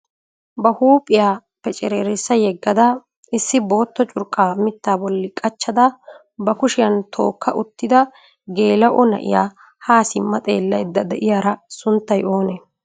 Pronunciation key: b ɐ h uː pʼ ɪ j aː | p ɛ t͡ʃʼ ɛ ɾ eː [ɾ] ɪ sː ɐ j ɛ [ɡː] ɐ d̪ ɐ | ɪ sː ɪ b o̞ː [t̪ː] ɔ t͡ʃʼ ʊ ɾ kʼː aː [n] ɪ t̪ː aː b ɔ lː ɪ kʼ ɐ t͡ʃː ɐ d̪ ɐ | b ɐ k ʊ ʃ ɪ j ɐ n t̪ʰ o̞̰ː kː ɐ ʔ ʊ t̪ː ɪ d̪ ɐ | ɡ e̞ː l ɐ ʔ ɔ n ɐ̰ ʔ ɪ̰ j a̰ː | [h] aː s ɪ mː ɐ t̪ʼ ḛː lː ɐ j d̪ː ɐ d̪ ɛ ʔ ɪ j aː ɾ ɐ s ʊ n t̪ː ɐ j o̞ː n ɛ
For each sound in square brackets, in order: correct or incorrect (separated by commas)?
correct, correct, correct, incorrect, correct